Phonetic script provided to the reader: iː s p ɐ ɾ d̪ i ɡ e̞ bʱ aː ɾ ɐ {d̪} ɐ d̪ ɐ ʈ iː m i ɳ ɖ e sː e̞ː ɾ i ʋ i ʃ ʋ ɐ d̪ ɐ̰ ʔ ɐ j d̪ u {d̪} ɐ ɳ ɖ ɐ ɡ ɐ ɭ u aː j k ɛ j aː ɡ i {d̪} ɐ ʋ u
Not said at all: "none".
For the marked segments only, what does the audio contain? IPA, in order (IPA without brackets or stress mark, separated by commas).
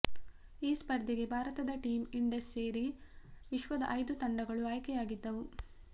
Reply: t̪, t̪, d̪ː